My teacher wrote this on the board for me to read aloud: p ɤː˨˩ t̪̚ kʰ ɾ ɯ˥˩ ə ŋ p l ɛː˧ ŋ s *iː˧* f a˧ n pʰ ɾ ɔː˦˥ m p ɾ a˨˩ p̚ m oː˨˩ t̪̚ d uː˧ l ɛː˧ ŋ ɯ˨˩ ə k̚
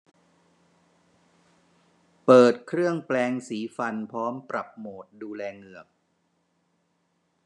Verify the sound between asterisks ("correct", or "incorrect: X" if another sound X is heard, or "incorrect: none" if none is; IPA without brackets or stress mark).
incorrect: iː˩˦